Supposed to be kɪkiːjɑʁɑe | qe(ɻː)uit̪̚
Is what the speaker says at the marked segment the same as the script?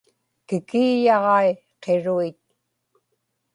no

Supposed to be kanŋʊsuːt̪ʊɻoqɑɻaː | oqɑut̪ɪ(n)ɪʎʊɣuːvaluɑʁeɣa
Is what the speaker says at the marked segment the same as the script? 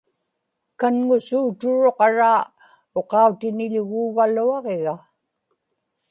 yes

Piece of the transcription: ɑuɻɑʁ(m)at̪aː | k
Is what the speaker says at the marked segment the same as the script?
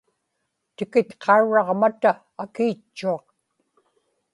yes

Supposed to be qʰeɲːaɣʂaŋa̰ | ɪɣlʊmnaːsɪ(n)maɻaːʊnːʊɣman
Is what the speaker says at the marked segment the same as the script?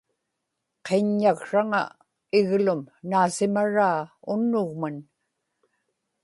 no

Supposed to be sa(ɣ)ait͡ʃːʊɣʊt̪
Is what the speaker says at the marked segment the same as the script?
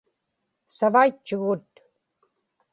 no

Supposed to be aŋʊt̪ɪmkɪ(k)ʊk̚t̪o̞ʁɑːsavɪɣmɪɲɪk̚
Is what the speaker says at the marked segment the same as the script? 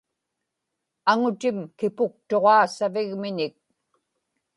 no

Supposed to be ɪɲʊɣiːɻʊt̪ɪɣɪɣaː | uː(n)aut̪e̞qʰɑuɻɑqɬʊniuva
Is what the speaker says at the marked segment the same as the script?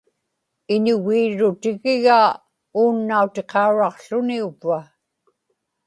no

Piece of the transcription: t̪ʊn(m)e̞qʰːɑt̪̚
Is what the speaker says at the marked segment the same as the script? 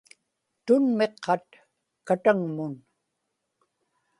yes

